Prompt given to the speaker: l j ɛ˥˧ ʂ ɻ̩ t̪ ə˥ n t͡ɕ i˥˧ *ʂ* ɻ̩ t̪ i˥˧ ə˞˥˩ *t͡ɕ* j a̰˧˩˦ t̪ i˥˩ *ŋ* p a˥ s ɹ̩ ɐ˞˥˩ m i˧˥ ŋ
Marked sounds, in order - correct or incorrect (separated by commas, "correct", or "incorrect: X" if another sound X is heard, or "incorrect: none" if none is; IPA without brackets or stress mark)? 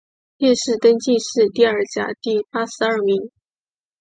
correct, correct, incorrect: none